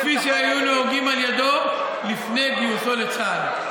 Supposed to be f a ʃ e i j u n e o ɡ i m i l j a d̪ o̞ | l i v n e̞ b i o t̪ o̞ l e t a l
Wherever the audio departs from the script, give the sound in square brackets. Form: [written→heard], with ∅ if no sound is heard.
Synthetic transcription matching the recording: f [a→i] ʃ e [i→a] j u n e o ɡ i m [i→a] l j a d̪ o̞ | l i [v→f] n e̞ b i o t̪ o̞ l e [t→t͡s] a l

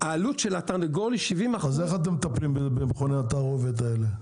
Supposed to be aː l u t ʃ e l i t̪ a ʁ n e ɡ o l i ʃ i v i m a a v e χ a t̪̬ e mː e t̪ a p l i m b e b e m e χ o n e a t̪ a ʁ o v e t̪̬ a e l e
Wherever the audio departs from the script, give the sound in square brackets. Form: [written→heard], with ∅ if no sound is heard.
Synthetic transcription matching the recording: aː l u t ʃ e l [i→a] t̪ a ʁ n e ɡ o l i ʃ i v i m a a [v→z] e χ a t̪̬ e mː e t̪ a p l i m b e b e m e χ o n e a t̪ a ʁ o v e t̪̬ a e l e

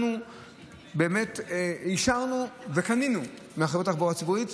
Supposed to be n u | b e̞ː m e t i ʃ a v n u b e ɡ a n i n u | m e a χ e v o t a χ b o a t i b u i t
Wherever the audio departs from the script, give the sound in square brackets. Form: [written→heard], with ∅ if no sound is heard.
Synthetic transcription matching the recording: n u | b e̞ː m e t i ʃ a [v→ʁ] n u [b→v] e [ɡ→k] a n i n u | m e a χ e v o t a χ b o a [t→t͡s] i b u i t

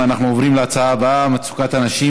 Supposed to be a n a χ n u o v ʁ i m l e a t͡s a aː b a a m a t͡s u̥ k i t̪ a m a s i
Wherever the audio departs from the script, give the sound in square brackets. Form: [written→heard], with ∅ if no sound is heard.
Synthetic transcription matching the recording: a n a χ n u o v ʁ i m l e a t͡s a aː b a a m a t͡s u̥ k [i→a] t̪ a [m→n] a [s→ʃ] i

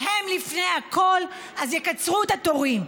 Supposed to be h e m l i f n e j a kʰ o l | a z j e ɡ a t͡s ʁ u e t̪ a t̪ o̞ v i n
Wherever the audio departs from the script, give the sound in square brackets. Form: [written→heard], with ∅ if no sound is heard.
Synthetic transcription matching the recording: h e m l i f n e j a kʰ o l | a z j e [ɡ→k] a t͡s ʁ u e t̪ a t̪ o̞ [v→ʁ] i [n→m]

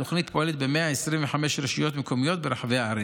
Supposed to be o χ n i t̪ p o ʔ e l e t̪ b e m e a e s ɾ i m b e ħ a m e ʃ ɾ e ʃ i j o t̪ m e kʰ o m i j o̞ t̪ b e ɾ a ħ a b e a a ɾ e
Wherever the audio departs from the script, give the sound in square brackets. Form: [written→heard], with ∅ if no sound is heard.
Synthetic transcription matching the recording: o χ n i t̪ p o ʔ e l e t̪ b e m e a e s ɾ i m [b→v] e ħ a m e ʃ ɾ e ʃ i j o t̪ m e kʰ o m i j o̞ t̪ b e ɾ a ħ a [b→v] e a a ɾ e

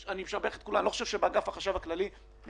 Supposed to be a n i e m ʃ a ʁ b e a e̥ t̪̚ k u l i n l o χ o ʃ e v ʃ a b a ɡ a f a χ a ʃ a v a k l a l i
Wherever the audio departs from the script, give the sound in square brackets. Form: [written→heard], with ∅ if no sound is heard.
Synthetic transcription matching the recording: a n i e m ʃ a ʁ b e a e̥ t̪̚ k u l [i→a] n l o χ o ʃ e v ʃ [a→e] b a ɡ a f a χ a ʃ a v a k l a l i

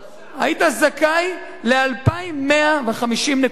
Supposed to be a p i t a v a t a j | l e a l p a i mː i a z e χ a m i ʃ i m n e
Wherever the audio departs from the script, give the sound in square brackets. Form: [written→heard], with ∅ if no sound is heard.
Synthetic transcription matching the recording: a [p→∅] i t a [v→z] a [t→k] a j | l e a l p a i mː [i→e] a [z→v] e χ a m i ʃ i m n e

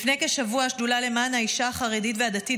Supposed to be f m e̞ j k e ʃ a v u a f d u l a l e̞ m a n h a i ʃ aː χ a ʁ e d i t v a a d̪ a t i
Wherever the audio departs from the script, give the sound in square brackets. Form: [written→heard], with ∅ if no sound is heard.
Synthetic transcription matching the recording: f [m→n] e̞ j k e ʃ a v u a [f→ʃ] d u l a l e̞ m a n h a i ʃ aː χ a ʁ e d i t v [a→e] a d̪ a t i

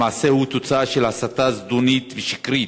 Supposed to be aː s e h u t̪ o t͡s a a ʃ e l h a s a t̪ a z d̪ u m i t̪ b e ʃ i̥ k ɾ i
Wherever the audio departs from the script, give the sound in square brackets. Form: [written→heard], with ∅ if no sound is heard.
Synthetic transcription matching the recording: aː s e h u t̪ o t͡s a a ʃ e l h a s a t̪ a z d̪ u [m→n] i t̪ [b→v] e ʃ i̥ k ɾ i

